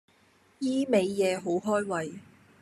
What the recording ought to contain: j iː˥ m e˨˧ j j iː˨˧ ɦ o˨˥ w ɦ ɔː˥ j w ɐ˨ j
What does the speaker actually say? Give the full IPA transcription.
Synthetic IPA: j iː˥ m e˨˧ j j ɛː˨˧ ɦ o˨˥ w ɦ ɔː˥ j w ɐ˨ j